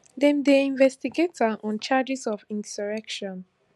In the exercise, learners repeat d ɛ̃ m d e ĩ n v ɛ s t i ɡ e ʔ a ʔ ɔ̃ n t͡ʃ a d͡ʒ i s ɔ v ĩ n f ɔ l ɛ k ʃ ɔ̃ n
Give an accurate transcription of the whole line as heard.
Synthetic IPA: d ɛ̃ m d e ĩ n v ɛ s t i ɡ e t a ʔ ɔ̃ n t͡ʃ a d͡ʒ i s ɔ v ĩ n s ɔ ɹ ɛ k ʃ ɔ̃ n